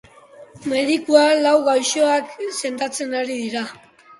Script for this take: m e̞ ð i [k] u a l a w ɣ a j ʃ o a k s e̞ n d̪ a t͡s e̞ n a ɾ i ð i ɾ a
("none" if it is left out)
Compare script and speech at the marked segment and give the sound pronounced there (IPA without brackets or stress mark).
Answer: k